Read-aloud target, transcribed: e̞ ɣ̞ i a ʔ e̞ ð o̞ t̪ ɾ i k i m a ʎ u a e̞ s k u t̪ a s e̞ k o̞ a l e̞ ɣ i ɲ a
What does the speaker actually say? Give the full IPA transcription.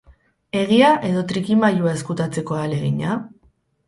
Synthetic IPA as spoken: e̞ ɣ̞ i a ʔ e̞ ð o̞ t̪ ɾ i k i m a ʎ u a e̞ s k u t̪ a t͡s e̞ k o̞ a l e̞ ɣ i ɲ a